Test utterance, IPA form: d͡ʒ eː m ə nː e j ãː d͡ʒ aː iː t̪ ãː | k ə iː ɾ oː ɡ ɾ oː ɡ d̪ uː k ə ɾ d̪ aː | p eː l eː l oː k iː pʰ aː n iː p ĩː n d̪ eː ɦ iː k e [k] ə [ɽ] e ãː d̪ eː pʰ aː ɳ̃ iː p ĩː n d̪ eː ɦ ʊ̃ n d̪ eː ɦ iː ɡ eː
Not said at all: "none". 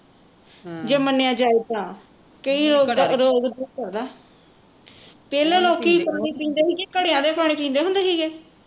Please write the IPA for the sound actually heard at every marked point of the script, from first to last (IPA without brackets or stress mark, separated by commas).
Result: k, ɽ